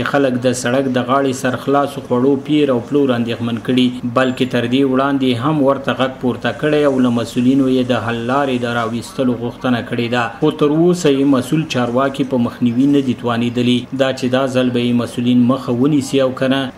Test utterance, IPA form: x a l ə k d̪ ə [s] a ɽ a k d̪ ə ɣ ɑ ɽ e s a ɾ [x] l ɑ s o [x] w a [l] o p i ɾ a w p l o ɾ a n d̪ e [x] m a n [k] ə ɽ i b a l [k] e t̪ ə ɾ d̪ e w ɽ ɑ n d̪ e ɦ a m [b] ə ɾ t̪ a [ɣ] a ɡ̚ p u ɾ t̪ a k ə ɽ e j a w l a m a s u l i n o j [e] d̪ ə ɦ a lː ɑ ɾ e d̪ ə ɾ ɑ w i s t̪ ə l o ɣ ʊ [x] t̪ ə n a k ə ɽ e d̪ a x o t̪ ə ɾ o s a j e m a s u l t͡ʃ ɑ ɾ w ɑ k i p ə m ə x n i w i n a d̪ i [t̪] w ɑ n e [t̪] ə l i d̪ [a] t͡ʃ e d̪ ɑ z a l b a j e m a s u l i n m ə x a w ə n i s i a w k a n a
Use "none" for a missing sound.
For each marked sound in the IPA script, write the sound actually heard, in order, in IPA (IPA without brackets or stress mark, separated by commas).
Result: s, x, x, ɽ, x, k, k, w, ɣ, e, x, t̪, d̪, ɑ